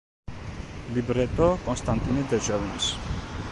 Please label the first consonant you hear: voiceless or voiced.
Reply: voiced